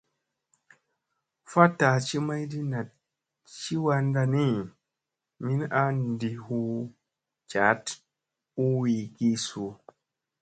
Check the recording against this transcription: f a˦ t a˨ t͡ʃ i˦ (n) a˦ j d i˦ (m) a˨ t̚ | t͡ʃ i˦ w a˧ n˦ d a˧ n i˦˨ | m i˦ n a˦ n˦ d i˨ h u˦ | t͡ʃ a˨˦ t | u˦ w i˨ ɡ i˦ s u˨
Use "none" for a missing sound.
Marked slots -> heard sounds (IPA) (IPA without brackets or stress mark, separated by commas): m, n